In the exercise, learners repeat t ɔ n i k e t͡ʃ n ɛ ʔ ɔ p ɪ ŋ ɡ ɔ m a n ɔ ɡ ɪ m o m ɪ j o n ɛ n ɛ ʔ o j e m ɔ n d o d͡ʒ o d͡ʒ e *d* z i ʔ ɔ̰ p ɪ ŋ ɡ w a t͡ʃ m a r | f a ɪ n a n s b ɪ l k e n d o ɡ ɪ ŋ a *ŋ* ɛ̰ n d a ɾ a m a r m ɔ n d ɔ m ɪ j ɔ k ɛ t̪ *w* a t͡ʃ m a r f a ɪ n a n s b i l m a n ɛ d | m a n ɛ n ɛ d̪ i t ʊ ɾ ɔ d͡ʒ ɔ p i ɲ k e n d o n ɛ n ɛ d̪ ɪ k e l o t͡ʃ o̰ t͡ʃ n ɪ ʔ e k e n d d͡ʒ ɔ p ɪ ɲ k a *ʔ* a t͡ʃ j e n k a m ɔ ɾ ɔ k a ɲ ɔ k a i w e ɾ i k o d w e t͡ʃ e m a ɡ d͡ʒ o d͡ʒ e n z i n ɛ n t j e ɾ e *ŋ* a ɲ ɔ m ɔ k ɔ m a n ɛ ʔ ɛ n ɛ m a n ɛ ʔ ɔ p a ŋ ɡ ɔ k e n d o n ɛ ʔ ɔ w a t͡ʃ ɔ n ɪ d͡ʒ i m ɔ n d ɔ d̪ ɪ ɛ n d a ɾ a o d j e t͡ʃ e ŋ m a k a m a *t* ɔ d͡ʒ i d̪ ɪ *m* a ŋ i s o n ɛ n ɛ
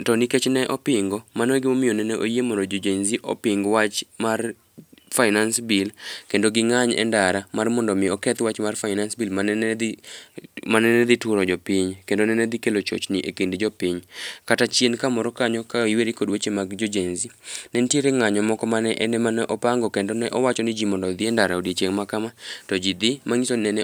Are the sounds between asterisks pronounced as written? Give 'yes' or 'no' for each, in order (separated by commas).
no, no, yes, no, yes, yes, yes